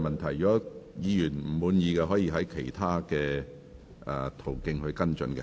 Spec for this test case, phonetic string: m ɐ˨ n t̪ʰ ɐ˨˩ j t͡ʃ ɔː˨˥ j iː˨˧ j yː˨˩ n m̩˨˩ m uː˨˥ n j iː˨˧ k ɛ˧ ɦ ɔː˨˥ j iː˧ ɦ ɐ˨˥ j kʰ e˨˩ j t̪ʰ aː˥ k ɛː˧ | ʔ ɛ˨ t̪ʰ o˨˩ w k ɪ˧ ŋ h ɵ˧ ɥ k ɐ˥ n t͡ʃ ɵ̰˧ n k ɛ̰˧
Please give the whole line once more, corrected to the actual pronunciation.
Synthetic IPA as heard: m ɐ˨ n t̪ʰ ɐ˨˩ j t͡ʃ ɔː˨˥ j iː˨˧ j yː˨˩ n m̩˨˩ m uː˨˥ n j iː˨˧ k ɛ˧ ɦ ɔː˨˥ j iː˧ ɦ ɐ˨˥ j kʰ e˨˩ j t̪ʰ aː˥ k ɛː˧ | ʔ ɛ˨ t̪ʰ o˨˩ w k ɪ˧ ŋ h ɵ˧ ɥ k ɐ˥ n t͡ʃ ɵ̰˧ n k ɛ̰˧

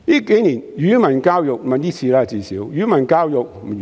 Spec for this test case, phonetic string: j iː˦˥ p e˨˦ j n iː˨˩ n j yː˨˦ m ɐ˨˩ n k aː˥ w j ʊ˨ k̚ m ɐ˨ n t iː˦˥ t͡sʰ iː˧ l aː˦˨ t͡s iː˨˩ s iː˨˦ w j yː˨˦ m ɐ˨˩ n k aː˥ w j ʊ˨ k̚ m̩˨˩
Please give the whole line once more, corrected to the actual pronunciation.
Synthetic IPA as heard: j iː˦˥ k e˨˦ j n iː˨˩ n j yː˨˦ m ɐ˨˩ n k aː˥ w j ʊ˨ k̚ m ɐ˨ n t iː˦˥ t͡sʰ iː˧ l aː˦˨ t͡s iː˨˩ s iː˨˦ w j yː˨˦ m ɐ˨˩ n k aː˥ w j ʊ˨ k̚ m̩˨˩

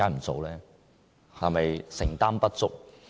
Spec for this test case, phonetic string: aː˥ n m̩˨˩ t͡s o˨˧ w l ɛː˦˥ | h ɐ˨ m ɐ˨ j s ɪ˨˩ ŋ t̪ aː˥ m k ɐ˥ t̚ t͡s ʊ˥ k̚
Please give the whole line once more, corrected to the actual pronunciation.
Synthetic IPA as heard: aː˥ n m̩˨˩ t͡s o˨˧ w l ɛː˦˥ | h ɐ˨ m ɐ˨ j s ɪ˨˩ ŋ t̪ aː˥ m p ɐ˥ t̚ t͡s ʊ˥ k̚

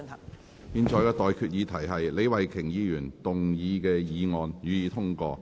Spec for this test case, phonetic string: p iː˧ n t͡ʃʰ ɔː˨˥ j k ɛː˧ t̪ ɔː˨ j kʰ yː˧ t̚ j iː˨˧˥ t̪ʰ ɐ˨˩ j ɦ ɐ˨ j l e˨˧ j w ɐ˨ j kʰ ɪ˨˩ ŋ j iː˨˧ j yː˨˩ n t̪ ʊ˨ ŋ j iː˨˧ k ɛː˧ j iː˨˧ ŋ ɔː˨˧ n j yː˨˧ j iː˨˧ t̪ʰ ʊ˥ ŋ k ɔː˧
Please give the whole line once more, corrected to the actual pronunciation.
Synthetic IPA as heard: p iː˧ n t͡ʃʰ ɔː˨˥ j k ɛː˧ t̪ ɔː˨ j kʰ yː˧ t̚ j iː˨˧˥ t̪ʰ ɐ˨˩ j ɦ ɐ˨ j l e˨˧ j w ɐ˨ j kʰ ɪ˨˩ ŋ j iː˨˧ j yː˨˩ n t̪ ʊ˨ ŋ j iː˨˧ k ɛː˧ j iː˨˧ ŋ ɔː˨˧ n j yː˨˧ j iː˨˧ t̪ʰ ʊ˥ ŋ k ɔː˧

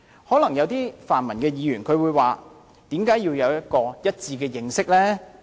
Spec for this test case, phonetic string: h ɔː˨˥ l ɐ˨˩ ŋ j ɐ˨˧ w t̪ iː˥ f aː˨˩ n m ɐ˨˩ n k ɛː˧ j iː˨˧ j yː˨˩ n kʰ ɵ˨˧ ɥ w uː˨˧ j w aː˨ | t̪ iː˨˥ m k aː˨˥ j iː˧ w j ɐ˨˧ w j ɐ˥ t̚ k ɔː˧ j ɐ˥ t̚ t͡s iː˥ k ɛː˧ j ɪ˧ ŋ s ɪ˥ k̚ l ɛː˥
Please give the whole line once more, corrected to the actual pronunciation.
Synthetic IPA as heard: h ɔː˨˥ l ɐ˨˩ ŋ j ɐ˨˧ w t̪ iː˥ f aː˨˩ n m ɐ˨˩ n k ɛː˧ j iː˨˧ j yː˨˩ n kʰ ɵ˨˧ ɥ w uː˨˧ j w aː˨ | t̪ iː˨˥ m k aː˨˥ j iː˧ w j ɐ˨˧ w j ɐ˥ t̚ k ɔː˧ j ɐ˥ t̚ t͡s iː˧ k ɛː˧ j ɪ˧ ŋ s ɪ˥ k̚ l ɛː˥

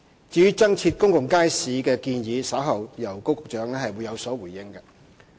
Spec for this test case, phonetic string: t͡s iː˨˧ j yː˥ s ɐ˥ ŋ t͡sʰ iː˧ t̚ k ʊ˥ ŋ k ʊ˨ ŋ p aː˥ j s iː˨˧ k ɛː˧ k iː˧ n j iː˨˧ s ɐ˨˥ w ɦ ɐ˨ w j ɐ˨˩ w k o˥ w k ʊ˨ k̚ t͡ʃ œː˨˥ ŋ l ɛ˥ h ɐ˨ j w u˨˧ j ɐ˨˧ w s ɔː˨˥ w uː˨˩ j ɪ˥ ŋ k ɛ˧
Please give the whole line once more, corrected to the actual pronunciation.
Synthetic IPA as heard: t͡s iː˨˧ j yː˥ t͡s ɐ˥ ŋ t͡sʰ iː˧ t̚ k ʊ˥ ŋ k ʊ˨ ŋ k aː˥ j s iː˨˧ k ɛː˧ k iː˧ n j iː˨˧ s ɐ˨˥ w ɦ ɐ˨ w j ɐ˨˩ w k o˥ w k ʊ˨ k̚ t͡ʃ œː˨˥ ŋ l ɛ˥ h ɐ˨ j w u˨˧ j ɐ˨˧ w s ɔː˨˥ w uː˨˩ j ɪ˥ ŋ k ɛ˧

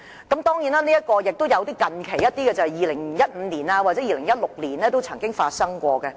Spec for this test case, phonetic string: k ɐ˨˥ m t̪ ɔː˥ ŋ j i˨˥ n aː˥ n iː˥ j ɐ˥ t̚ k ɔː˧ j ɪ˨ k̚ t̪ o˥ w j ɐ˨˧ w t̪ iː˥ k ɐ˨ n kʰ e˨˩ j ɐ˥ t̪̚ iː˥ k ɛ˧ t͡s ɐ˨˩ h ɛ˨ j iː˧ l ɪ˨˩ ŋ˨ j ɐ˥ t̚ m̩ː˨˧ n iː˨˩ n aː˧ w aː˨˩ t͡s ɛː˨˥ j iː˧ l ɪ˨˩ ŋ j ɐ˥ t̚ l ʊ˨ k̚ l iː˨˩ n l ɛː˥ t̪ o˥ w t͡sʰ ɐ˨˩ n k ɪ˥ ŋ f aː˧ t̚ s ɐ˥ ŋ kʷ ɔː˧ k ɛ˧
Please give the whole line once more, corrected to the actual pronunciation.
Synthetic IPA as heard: k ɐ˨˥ m t̪ ɔː˥ ŋ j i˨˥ n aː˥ n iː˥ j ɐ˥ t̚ k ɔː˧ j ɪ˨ k̚ t̪ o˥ w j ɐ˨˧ w t̪ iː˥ k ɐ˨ n kʰ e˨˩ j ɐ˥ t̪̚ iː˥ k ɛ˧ t͡s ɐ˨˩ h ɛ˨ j iː˧ l ɪ˨˩ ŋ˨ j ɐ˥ t̚ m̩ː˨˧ n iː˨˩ n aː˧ w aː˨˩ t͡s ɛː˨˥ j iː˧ l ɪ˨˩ ŋ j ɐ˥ t̚ l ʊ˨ k̚ l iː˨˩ n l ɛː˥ t̪ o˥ w t͡sʰ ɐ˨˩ ŋ k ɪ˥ ŋ f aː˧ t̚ s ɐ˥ ŋ kʷ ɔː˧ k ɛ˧

